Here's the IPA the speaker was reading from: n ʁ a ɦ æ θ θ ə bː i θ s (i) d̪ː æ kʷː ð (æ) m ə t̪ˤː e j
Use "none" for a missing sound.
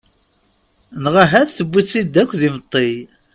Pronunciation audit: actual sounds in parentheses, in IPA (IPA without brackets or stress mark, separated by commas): i, i